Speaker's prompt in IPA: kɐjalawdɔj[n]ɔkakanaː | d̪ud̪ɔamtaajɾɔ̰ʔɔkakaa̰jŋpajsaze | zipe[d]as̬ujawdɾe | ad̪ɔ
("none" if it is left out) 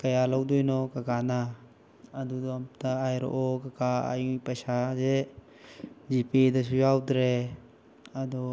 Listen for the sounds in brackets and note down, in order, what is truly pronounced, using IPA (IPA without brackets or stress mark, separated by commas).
n, d